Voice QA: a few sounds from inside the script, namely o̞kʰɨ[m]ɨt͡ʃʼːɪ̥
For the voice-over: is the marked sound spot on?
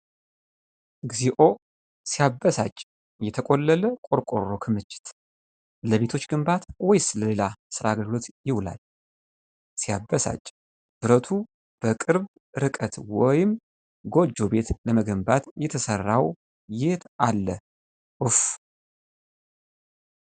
yes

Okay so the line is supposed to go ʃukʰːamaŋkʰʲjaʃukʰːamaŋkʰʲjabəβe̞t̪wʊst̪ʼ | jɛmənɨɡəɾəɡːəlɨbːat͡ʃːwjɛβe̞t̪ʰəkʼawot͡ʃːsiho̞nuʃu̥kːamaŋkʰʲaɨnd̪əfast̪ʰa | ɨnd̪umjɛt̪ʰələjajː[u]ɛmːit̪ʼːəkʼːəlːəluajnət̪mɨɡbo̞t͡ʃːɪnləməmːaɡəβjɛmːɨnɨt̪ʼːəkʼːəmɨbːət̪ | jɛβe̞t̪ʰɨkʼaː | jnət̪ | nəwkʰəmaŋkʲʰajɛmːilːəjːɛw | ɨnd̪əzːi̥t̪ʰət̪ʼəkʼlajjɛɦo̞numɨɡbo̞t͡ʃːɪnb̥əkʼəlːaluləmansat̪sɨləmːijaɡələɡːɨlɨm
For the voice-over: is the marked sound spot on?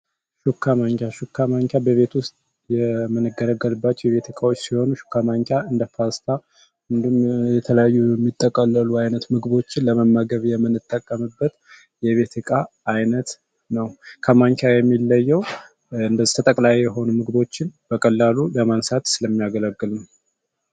yes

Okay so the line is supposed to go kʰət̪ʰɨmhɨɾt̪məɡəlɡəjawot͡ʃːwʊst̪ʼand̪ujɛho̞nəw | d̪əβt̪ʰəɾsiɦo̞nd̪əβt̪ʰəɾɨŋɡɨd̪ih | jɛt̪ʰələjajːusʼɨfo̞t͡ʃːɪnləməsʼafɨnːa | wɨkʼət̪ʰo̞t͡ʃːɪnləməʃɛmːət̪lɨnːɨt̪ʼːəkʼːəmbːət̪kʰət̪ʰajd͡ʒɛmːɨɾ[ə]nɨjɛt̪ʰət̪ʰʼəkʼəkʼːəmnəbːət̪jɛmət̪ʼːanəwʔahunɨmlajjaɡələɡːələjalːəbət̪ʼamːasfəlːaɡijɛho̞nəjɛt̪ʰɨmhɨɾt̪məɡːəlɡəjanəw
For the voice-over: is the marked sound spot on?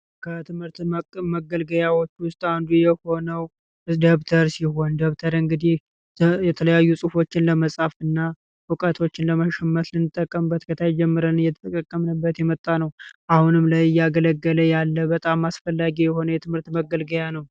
yes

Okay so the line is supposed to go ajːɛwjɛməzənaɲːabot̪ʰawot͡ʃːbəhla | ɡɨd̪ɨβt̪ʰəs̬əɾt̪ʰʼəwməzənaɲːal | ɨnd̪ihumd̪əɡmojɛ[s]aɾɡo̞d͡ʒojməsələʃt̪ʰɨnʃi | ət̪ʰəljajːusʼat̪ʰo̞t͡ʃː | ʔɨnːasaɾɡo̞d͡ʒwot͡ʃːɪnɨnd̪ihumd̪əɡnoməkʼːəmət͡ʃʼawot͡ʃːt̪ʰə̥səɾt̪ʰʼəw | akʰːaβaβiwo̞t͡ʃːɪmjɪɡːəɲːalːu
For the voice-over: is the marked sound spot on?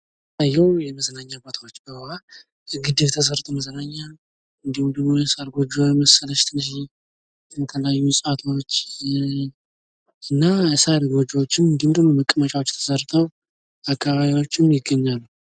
yes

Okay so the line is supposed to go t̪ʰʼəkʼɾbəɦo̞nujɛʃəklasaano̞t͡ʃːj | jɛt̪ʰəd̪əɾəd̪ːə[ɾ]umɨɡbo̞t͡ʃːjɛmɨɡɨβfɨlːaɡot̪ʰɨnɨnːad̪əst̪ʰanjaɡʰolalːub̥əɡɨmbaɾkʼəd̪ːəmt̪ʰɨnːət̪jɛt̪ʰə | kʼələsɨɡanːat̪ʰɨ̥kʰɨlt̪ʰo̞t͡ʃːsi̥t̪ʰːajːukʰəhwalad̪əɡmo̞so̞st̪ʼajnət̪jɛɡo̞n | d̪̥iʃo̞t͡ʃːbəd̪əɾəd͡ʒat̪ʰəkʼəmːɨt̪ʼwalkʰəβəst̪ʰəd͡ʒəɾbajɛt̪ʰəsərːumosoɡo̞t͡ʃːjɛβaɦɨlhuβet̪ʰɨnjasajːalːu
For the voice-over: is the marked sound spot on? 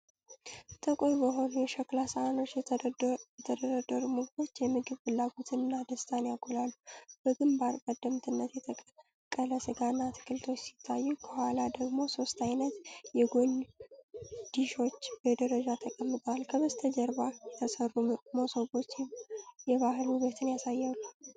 yes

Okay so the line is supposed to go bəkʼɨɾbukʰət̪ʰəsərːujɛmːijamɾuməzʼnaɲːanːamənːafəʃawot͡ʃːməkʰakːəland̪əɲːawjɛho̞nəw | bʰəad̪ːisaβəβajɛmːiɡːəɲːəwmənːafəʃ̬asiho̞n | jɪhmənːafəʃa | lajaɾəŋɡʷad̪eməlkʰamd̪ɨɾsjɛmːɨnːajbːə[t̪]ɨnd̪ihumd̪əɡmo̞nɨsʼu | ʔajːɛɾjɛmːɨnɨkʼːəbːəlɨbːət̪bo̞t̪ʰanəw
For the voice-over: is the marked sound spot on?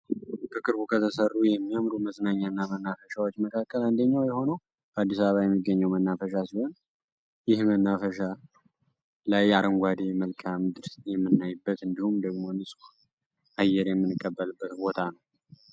yes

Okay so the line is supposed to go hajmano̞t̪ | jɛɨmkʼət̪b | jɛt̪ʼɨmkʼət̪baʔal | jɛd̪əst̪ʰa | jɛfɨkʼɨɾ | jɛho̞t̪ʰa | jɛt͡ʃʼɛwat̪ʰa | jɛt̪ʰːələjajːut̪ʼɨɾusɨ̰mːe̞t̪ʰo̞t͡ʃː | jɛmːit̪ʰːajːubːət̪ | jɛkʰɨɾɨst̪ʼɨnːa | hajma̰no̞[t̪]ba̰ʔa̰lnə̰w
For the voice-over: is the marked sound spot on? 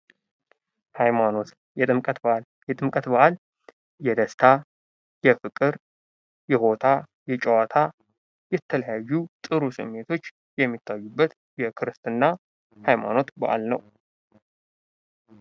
yes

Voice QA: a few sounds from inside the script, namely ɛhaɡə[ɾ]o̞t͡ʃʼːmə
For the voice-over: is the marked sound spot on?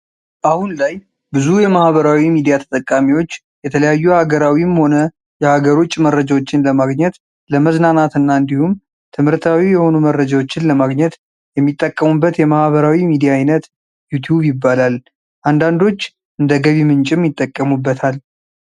yes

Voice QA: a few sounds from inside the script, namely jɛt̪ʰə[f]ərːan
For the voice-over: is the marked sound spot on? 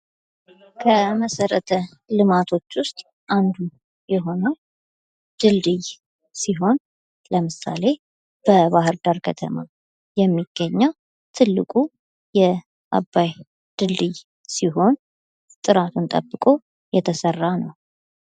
no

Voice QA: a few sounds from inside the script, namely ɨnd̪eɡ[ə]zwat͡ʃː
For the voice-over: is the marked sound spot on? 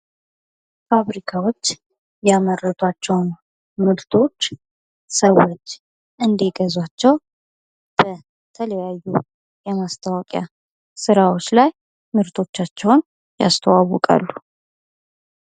yes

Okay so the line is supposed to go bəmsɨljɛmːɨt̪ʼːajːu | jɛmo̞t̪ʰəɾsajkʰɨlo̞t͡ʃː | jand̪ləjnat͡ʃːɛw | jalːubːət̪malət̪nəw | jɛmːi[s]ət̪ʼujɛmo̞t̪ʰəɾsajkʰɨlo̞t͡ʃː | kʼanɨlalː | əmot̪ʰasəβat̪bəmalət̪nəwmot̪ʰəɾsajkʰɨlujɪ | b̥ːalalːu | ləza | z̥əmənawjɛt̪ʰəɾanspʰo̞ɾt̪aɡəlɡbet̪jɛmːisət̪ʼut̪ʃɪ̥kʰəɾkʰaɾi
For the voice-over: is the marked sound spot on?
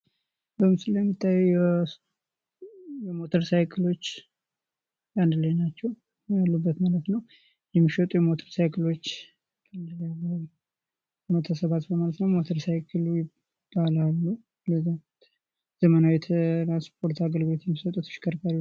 no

